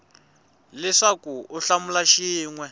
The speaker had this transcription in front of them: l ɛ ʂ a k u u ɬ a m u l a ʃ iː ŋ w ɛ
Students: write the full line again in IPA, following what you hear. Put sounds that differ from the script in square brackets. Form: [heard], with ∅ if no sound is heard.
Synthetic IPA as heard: l ɛ ʂ a k u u ɬ a m u l a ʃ iː ŋ w ɛ